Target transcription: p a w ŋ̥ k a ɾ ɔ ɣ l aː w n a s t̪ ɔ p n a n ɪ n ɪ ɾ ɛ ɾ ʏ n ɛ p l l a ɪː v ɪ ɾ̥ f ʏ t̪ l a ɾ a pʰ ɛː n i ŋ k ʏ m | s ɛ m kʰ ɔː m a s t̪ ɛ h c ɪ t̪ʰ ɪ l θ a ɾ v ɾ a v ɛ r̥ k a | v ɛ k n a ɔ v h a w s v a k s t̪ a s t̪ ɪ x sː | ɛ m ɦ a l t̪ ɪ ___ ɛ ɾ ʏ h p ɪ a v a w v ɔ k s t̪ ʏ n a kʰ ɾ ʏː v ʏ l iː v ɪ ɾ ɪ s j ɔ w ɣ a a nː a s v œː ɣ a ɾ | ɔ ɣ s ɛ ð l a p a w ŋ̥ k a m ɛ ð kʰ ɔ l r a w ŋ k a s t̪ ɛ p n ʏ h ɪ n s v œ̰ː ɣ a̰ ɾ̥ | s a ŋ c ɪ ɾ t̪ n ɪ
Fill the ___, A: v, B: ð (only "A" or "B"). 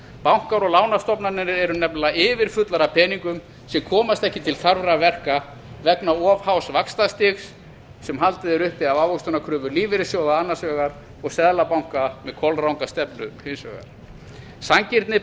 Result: B